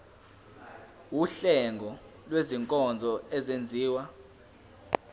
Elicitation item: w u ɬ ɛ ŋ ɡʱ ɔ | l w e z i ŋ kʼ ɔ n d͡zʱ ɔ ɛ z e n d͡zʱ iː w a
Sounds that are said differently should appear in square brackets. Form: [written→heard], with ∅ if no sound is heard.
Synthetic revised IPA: w u ɬ ɛ ŋ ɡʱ ɔ | l w e z i ŋ kʼ ɔ n d͡zʱ ɔ ɛ z e n d͡zʱ iː w a